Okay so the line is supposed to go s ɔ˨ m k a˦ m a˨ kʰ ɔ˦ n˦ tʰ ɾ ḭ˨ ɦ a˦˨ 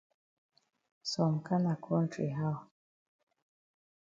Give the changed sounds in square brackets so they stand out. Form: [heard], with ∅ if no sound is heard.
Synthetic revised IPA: s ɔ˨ m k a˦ [n] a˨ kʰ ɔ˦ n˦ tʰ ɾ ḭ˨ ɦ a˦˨